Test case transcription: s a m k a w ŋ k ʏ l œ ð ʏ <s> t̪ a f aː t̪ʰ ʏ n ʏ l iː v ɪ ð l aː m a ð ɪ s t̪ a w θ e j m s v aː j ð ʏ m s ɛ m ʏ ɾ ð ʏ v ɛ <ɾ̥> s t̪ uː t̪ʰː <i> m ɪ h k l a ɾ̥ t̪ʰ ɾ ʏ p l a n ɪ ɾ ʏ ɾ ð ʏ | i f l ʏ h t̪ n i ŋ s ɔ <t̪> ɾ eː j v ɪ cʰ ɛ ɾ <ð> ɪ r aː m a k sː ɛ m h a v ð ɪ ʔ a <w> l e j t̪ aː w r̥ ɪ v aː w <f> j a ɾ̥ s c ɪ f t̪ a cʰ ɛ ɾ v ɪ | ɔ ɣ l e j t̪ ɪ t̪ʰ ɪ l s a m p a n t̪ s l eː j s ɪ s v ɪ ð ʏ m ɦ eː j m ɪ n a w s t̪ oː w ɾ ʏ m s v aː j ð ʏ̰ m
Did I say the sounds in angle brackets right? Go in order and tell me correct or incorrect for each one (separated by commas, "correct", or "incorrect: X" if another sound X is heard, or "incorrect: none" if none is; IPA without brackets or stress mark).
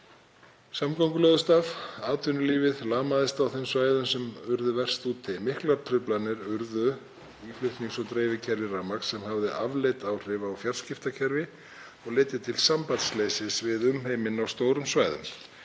correct, incorrect: r̥, incorrect: ɪ, correct, incorrect: v, incorrect: v, correct